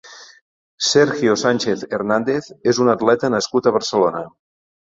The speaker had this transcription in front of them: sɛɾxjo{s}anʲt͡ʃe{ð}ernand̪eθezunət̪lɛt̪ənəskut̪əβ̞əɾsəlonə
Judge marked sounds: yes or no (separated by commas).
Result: yes, no